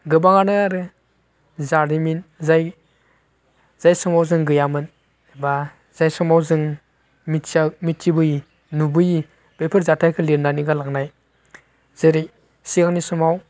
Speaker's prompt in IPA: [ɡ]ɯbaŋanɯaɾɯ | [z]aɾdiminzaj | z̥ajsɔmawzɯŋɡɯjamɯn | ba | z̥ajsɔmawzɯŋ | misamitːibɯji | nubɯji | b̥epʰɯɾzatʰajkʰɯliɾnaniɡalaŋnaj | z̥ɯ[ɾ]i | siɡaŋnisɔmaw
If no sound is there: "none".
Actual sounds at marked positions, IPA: ɡ, z, ɾ

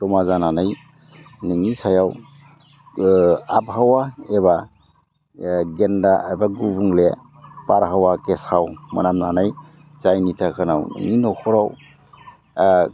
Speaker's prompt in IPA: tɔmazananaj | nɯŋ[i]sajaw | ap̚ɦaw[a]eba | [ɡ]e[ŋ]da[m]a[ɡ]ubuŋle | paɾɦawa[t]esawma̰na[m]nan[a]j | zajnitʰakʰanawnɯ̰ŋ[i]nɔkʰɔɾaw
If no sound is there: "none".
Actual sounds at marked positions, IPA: i, a, ɡ, n, b, ɡ, k, m, a, i

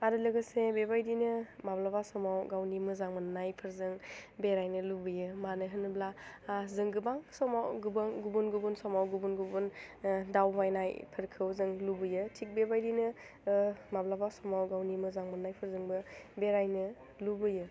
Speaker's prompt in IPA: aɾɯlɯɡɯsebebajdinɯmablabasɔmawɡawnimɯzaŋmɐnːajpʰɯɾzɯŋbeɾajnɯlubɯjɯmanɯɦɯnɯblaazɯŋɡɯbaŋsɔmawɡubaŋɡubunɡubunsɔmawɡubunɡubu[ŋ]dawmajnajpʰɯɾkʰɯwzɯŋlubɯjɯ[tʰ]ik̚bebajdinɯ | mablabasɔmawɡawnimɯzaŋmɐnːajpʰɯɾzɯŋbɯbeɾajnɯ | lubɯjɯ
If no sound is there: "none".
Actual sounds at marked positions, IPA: n, tʰ

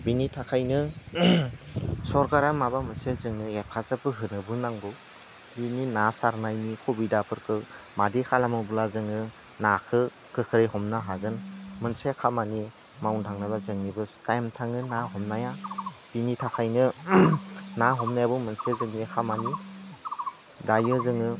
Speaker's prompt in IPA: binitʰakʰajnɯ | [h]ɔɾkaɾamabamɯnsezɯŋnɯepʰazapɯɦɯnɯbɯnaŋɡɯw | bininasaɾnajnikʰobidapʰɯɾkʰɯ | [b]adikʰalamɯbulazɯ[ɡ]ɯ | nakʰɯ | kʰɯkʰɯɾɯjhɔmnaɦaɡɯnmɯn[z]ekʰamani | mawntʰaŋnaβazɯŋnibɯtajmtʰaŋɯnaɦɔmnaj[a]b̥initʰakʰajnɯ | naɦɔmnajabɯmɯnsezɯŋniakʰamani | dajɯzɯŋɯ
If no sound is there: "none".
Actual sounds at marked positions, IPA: s, m, ŋ, s, a

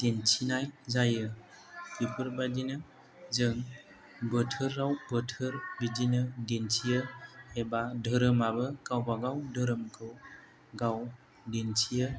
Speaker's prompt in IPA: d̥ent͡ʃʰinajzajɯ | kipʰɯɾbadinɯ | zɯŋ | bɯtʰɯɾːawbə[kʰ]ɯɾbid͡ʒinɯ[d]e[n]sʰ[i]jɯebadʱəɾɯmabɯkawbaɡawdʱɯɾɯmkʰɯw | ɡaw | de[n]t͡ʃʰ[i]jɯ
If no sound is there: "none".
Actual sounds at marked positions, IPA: tʰ, d, n, i, n, i

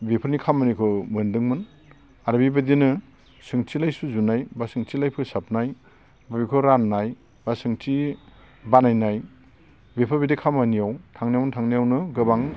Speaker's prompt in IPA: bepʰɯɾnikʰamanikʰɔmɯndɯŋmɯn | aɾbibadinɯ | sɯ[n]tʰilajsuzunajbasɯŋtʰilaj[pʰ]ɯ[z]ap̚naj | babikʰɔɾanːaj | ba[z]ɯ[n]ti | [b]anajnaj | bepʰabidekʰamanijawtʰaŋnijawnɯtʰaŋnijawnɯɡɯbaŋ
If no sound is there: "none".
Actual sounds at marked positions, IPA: ŋ, pʰ, s, s, ŋ, b

